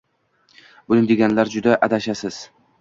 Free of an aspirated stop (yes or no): yes